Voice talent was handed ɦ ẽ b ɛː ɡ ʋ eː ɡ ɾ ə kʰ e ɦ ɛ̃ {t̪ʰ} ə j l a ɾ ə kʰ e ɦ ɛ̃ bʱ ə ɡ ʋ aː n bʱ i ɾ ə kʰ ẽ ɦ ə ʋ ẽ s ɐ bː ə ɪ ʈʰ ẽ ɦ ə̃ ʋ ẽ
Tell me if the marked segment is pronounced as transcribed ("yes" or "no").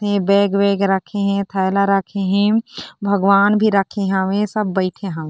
yes